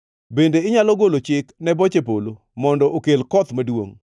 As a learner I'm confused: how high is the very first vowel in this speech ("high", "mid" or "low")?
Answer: mid